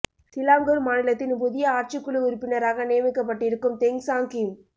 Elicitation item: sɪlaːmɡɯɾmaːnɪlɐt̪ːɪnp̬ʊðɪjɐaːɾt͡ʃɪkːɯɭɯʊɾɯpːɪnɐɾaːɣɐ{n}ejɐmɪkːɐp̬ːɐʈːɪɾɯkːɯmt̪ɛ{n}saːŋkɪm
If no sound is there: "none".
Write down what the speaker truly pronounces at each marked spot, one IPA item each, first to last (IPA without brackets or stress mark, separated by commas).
n, ŋ